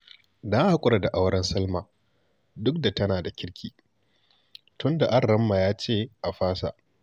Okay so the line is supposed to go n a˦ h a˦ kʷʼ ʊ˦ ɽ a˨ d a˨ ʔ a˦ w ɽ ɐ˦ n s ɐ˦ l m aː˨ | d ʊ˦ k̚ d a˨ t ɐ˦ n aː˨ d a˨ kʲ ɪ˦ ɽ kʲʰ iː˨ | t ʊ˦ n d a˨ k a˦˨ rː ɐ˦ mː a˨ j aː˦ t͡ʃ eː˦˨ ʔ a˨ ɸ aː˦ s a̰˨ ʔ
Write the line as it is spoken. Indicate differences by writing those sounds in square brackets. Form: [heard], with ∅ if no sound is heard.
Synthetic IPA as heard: [d] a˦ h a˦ kʷʼ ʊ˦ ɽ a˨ d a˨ ʔ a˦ w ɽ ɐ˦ n s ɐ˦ l m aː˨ | d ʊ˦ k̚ d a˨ t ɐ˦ n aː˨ d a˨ kʲ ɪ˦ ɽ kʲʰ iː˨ | t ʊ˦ n d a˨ [ʔ] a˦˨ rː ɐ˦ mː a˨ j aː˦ t͡ʃ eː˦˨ ʔ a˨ ɸ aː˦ s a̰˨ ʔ